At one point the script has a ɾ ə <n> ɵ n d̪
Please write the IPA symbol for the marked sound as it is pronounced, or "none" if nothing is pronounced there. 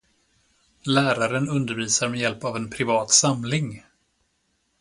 n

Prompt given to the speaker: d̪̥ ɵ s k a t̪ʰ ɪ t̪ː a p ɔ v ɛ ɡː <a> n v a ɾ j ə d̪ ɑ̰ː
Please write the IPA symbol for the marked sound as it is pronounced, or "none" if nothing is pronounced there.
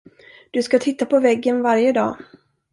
ə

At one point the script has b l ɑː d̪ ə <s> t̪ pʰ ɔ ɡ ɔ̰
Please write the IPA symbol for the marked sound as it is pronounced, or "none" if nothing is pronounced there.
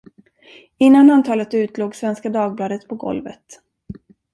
none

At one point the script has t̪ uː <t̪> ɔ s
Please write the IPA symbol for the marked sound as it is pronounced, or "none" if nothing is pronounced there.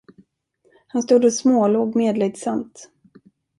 d̪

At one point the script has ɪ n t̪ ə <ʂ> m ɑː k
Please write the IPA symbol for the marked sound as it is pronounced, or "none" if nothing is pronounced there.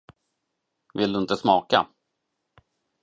s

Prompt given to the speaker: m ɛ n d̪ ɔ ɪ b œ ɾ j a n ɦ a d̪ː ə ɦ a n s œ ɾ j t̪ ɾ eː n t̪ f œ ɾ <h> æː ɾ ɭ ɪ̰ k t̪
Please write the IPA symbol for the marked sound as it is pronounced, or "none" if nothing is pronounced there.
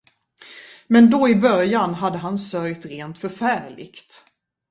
f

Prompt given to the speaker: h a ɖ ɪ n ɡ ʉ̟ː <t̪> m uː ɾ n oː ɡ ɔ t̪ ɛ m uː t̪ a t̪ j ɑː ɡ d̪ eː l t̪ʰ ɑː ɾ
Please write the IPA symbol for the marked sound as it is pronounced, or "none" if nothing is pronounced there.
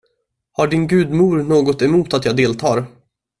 d̪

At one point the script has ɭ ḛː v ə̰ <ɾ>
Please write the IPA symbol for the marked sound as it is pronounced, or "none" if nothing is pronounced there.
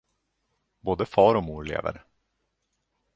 ɾ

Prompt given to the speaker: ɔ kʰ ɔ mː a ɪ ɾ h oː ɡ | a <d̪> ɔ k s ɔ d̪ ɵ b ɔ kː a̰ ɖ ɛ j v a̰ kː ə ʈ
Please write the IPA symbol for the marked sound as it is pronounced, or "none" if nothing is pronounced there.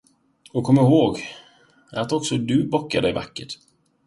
t̪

